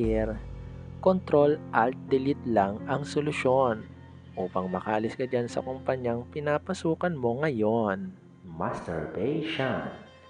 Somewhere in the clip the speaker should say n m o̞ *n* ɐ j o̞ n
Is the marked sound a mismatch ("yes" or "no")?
yes